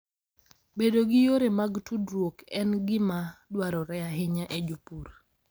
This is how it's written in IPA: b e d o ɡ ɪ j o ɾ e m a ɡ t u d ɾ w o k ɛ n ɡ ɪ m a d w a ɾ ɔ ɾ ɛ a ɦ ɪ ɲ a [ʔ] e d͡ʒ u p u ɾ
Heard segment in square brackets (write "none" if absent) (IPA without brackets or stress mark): ʔ